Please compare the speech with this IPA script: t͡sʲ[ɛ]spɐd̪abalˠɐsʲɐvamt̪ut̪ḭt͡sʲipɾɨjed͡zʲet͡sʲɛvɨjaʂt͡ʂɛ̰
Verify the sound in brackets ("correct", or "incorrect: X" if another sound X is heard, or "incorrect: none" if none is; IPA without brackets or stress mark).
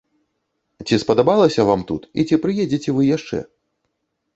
incorrect: i